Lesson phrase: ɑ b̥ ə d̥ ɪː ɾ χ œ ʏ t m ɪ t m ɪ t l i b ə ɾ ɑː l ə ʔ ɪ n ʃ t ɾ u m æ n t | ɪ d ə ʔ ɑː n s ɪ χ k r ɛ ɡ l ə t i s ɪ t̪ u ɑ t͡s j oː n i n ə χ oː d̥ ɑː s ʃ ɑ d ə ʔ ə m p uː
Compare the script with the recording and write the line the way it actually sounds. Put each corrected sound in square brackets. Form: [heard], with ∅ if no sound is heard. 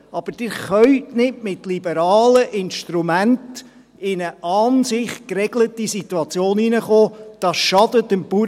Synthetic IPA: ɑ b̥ ə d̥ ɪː ɾ χ œ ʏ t [n] ɪ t m ɪ t l i b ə ɾ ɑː l ə ʔ ɪ n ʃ t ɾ u m æ n t | ɪ [n] ə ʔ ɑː n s ɪ χ k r ɛ ɡ l ə t i s [i] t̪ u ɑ t͡s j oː n i n ə χ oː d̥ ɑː s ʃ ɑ d ə [t] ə m p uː

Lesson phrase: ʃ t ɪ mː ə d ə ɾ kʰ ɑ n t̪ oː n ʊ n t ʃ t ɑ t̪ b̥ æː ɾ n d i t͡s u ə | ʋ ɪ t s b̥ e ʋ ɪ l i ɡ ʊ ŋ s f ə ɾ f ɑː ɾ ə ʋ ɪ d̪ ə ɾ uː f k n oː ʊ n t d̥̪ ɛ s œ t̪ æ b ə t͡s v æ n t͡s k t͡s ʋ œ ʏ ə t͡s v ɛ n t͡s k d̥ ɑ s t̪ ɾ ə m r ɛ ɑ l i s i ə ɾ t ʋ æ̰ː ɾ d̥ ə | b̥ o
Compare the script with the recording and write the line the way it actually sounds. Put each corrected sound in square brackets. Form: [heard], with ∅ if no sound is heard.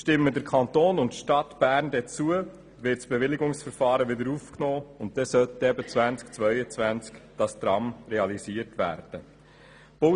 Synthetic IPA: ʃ t ɪ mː ə d ə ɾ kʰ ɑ n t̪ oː n ʊ n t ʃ t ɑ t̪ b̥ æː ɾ n d [ɛ] t͡s u ə | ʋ ɪ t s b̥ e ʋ ɪ l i ɡ ʊ ŋ s f ə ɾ f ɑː ɾ ə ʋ ɪ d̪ ə ɾ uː f k n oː ʊ n t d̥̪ ɛ s œ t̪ [ɛ] b ə t͡s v æ n t͡s k t͡s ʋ œ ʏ ə t͡s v [æ] n t͡s k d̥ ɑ s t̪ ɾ [ɑ] m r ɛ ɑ l i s i ə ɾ t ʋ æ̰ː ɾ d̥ ə | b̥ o

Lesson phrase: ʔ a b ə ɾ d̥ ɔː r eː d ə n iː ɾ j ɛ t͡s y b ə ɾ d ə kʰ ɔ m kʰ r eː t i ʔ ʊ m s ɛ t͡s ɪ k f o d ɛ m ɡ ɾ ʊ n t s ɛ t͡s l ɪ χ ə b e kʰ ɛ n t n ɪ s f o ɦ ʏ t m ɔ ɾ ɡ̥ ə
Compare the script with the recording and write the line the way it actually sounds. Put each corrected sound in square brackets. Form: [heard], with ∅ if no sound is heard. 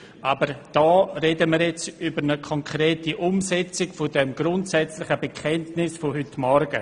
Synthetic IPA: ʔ a b ə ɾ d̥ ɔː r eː d ə [m] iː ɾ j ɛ t͡s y b ə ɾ [n] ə kʰ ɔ [ŋ] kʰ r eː t i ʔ ʊ m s ɛ t͡s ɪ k f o d ɛ m ɡ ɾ ʊ n t s ɛ t͡s l ɪ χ ə b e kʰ ɛ n t n ɪ s f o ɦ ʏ t m ɔ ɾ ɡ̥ ə

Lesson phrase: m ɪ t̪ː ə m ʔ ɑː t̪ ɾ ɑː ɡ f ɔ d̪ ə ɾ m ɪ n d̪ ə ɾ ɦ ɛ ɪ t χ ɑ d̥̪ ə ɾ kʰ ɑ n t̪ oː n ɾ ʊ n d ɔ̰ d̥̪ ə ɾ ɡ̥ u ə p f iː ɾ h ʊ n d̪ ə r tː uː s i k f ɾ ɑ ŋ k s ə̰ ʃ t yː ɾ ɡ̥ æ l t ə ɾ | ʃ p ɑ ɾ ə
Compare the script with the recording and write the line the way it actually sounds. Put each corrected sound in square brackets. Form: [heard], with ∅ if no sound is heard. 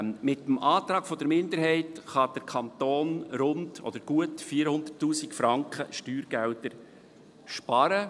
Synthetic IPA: m ɪ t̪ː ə m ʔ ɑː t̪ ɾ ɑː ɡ f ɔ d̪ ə ɾ m ɪ n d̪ ə ɾ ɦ ɛ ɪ t χ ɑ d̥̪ ə ɾ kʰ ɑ n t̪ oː n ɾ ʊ n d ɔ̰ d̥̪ ə ɾ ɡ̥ u ə [t] f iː ɾ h ʊ n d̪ ə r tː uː s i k f ɾ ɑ ŋ k [χ] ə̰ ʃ t yː ɾ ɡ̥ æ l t ə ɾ | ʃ p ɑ ɾ ə

